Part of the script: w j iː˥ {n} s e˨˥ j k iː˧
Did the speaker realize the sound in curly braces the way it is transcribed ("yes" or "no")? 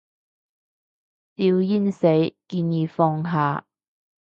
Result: yes